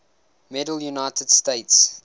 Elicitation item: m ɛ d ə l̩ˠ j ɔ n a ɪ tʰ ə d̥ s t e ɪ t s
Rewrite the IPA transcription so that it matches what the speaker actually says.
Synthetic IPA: m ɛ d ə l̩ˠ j u n a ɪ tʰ ə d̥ s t e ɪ t s